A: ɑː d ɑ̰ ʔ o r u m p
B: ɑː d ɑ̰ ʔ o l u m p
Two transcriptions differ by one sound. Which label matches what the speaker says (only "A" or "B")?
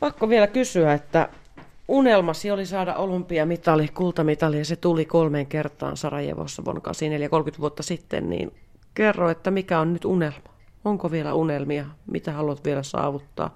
B